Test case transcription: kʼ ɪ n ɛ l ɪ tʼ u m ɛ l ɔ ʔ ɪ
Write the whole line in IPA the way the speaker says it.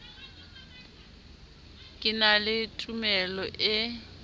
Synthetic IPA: kʼ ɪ n a l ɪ tʼ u m ɛ l ɔ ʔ ɪ